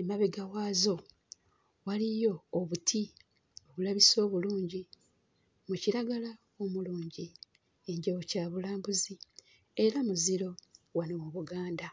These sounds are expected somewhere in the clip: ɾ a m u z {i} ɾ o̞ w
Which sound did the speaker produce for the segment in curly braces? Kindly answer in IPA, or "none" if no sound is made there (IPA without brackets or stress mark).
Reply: i